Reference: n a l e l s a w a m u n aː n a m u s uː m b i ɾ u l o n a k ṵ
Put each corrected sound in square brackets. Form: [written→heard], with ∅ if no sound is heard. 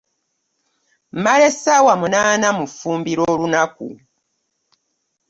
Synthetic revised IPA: [n→m] a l e [l→∅] s a w a m u n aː n a m u [s→f] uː m b i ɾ [u→o] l [o→u] n a k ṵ